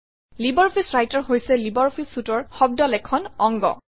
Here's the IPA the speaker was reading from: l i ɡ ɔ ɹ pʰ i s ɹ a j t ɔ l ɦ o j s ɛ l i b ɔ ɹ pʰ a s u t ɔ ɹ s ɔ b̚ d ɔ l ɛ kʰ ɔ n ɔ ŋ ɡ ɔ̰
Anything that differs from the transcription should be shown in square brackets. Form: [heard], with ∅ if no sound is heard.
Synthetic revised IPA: l i [b] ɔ ɹ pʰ i s ɹ a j t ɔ [ɹ] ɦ o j s ɛ l i b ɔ ɹ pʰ [i] s u t ɔ ɹ [x] ɔ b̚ d ɔ l ɛ kʰ ɔ n ɔ ŋ ɡ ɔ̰